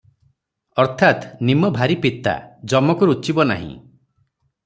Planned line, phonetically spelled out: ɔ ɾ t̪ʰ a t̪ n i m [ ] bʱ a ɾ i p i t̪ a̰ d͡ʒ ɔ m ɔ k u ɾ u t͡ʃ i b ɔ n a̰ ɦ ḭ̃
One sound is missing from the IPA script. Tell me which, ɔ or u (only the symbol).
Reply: ɔ